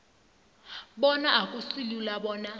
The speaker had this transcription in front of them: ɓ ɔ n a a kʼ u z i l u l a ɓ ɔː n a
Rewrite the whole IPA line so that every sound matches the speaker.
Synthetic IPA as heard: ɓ ɔ n a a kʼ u s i l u l a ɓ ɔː n a